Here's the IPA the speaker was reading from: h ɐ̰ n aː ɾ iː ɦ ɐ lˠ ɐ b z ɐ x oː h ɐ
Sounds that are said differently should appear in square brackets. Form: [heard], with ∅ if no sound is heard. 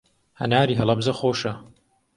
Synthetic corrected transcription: h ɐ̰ n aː ɾ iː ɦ ɐ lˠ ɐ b z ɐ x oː [ʃ] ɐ

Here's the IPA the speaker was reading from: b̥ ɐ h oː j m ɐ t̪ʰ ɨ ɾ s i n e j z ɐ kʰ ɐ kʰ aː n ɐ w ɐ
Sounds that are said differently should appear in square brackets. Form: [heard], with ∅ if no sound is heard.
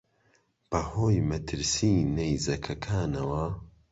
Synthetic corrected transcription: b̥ ɐ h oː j m ɐ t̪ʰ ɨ ɾ s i n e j z ɐ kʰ ɐ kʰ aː n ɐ w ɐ

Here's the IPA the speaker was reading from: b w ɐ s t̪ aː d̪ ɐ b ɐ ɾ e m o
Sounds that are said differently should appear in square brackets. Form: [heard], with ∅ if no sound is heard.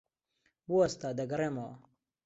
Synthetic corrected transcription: b [u] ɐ s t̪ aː d̪ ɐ [ɡ] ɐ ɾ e m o

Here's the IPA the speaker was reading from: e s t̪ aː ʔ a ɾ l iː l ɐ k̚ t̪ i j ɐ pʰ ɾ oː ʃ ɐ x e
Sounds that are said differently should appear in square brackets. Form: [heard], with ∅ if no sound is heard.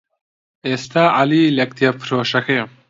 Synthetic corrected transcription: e s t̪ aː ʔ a [∅] l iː l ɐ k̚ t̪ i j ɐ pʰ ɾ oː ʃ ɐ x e

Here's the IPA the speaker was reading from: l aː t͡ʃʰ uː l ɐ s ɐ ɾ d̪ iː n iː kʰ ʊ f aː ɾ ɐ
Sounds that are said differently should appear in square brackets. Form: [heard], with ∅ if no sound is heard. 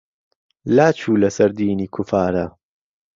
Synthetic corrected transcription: l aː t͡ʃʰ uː l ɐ s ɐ ɾ d̪ iː n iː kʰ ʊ f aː ɾ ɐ

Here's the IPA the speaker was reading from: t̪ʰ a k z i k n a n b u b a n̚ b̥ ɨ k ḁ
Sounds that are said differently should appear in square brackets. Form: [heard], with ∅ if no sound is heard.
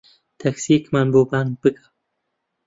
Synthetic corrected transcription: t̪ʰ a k [s] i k [m] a n b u b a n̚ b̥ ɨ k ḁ

